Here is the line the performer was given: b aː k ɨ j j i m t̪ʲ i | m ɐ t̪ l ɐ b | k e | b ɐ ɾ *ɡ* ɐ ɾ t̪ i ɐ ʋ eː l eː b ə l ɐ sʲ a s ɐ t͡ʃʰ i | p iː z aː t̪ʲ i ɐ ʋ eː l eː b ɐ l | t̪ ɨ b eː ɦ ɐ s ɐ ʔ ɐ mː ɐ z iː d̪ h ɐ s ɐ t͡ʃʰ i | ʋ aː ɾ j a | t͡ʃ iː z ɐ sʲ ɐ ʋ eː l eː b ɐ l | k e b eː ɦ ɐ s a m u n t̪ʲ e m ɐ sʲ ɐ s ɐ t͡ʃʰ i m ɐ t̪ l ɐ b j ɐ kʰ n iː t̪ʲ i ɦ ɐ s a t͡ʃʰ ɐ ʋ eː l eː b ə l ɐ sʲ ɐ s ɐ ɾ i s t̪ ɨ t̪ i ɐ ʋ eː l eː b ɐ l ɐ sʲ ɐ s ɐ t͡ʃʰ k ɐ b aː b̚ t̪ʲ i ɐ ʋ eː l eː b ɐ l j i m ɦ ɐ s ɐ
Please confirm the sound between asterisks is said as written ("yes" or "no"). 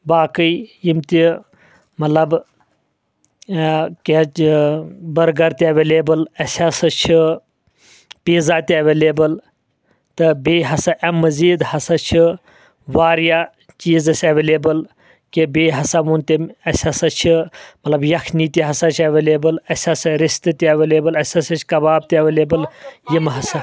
yes